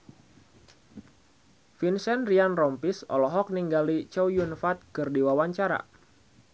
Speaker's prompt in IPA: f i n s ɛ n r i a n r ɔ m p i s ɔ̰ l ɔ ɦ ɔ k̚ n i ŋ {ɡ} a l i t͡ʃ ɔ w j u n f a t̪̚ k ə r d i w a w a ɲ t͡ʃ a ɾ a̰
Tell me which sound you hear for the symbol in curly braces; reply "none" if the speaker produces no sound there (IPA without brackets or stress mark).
ɡ